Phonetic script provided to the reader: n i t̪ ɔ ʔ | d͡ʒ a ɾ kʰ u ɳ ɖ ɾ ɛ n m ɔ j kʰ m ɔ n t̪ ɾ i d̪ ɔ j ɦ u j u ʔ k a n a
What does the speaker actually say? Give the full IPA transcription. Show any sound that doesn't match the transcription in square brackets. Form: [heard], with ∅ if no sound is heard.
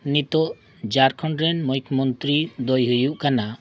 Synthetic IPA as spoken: n i t̪ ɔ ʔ | d͡ʒ a ɾ kʰ [ɔ] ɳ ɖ ɾ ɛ n m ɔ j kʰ m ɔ n t̪ ɾ i d̪ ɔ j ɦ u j u ʔ k a n a

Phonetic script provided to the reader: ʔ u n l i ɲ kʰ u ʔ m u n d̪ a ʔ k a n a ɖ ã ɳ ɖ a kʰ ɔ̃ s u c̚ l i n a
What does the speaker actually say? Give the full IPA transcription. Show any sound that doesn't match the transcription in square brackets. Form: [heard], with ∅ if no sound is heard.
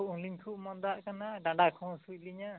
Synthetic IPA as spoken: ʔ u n l i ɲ kʰ u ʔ m [ɔ] n d̪ a ʔ k a n a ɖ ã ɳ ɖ a kʰ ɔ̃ s u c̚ l i [ɲ] a

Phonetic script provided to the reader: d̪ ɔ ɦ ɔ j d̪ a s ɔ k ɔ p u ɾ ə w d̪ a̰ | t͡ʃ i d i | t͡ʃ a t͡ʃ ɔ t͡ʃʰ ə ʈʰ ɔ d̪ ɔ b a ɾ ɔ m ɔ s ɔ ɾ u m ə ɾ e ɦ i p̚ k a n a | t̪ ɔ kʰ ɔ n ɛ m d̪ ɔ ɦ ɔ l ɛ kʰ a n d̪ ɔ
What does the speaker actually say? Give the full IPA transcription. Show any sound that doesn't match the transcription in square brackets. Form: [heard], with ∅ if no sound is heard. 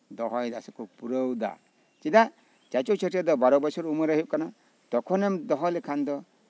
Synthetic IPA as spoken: d̪ ɔ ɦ ɔ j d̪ a s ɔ k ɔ p u ɾ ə w d̪ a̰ | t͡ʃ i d [a] | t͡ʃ a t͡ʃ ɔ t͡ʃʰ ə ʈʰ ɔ d̪ ɔ b a ɾ ɔ [b] ɔ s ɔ ɾ u m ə ɾ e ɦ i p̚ k a n a | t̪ ɔ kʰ ɔ n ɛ m d̪ ɔ ɦ ɔ l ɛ kʰ a n d̪ ɔ

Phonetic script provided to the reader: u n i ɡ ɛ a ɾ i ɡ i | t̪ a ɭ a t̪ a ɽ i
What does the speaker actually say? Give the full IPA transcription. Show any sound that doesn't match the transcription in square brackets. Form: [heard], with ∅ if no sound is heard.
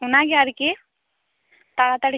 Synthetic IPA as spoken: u n [a] ɡ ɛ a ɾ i [k] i | t̪ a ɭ a t̪ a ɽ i

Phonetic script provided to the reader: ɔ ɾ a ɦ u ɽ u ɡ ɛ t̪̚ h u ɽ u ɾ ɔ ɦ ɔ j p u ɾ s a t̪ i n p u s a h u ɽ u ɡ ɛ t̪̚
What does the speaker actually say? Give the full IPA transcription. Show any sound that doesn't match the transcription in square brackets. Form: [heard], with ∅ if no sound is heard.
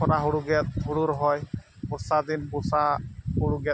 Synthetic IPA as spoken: ɔ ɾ a ɦ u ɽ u ɡ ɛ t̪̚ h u ɽ u ɾ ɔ ɦ ɔ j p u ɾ s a [d̪] i n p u s a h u ɽ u ɡ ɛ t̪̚

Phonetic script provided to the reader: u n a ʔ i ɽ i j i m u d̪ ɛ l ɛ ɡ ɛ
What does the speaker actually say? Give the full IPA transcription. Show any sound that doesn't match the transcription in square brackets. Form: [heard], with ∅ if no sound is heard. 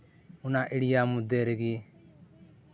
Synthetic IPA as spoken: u n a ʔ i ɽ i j [a] m u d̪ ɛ [ɾ] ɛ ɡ [i]

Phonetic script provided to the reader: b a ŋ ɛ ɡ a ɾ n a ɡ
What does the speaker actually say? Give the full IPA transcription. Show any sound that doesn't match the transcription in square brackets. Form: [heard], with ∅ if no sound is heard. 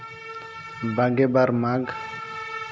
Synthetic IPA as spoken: b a [ɡ] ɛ [b] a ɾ [m] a ɡ

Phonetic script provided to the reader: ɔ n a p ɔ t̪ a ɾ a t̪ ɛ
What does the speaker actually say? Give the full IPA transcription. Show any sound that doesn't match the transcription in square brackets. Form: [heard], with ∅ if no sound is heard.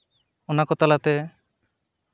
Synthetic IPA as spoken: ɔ n a [k] ɔ t̪ a [l] a t̪ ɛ

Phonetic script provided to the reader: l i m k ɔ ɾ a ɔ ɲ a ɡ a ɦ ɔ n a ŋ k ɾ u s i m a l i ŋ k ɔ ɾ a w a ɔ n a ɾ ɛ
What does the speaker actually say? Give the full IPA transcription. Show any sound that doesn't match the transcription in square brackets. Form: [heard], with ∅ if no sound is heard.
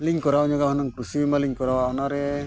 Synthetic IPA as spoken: l i [ŋ] k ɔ ɾ a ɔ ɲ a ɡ a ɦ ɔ n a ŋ k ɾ u s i m a l i ŋ k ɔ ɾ a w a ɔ n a ɾ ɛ

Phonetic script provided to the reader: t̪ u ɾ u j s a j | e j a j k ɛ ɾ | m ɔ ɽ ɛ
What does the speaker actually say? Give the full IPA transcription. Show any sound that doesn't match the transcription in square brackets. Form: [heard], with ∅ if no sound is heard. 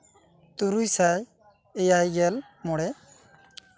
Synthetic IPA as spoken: t̪ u ɾ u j s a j | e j a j [ɡ] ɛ [l] | m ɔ ɽ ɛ

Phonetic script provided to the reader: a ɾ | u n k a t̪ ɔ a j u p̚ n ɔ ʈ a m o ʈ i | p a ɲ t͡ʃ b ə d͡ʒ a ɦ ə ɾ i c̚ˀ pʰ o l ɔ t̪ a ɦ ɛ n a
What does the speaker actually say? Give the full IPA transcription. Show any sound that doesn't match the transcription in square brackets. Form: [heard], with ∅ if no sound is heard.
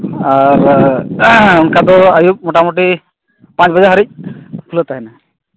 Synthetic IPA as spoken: a ɾ | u n k a [d̪] ɔ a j u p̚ [m] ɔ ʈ a m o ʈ i | p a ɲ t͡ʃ b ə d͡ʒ a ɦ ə ɾ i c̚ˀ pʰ [u] l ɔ t̪ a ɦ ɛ n a

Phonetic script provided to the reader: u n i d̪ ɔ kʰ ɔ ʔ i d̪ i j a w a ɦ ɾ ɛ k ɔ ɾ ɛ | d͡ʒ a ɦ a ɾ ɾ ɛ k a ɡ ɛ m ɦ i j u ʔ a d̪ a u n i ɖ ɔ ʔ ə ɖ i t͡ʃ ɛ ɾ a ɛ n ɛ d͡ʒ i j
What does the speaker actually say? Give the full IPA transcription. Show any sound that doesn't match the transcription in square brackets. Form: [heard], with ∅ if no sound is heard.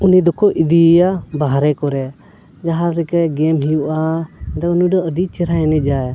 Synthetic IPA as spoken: u n i d̪ ɔ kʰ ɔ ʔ i d̪ i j a [b] a ɦ ɾ ɛ k ɔ ɾ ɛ | d͡ʒ a ɦ a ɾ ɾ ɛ k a ɡ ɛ m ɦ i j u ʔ a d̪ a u n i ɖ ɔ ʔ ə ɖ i t͡ʃ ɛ ɾ a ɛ n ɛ d͡ʒ [a] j

